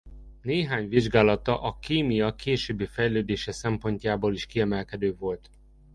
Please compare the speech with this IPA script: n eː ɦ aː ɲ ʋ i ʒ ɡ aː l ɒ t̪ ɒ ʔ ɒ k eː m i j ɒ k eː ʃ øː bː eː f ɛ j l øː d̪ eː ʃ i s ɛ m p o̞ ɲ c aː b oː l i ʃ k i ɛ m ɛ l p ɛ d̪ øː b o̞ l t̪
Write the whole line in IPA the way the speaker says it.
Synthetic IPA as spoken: n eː ɦ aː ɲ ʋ i ʒ ɡ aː l ɒ t̪ ɒ ʔ ɒ k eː m i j ɒ k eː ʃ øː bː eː f ɛ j l øː d̪ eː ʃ ɛ s ɛ m p o̞ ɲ c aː b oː l i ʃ k i ɛ m ɛ l k ɛ d̪ øː v o̞ l t̪